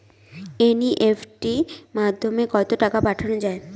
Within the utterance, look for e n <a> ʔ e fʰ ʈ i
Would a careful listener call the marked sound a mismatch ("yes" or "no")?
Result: yes